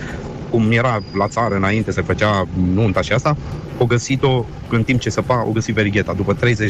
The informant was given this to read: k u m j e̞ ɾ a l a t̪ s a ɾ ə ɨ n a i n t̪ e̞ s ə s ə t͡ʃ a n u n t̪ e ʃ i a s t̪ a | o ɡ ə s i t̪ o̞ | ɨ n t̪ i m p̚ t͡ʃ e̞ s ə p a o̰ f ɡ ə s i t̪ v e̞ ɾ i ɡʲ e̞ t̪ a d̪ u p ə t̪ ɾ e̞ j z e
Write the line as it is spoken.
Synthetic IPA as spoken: k u m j e̞ ɾ a l a t̪ s a ɾ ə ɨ n a i n t̪ e̞ s ə f ə t͡ʃ a n u n t̪ a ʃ i a s t̪ a | o ɡ ə s i t̪ o̞ | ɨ n t̪ i m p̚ t͡ʃ e̞ s ə p a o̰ ɡ ə s i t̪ v e̞ ɾ i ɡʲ e̞ t̪ a d̪ u p ə t̪ ɾ e̞ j z e